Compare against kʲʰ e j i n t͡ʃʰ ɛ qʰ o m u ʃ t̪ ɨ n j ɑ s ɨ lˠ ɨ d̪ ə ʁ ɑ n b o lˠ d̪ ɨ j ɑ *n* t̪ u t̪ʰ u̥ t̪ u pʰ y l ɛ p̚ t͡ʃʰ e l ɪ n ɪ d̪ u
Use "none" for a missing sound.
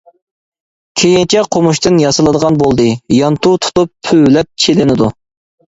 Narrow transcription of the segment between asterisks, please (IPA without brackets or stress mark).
n